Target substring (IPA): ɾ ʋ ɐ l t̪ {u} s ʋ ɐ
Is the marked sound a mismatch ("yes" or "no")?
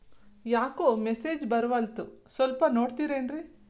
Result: no